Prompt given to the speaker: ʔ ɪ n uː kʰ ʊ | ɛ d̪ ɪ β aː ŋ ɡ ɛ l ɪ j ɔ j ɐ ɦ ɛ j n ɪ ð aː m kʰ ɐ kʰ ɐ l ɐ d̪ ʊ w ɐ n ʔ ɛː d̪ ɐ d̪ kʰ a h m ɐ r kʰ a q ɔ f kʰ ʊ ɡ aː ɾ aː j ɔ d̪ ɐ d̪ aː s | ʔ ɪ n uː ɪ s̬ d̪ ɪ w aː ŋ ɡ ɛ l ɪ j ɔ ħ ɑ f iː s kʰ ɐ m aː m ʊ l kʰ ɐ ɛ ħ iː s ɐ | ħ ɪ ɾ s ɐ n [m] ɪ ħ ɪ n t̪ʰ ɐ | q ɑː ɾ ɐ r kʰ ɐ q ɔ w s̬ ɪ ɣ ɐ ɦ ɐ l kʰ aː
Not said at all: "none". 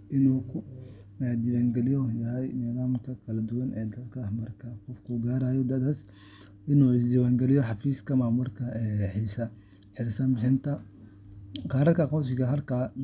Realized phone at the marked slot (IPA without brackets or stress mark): b